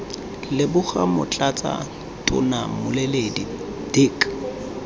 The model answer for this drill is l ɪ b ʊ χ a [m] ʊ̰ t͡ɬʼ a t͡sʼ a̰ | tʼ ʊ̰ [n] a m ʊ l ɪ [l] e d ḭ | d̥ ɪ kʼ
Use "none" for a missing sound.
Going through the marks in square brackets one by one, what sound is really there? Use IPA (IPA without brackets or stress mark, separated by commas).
m, n, l